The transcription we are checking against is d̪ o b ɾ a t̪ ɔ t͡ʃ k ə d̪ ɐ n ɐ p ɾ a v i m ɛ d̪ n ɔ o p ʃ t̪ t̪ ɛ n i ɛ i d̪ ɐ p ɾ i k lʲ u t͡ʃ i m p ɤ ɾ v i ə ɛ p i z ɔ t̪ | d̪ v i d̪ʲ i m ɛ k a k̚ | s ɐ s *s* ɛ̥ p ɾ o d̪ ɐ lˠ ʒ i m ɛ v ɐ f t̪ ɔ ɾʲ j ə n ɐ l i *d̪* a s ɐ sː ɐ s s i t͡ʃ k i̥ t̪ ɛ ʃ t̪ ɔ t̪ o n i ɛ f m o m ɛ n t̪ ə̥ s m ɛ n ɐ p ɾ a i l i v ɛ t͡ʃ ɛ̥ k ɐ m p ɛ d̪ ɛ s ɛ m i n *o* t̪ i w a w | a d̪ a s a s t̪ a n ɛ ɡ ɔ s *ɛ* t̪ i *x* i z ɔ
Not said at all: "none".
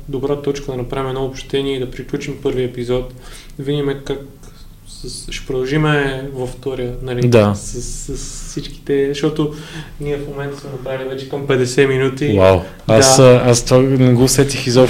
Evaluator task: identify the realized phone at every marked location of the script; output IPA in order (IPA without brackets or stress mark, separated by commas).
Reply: ʃ, d̪, u, ɛ, x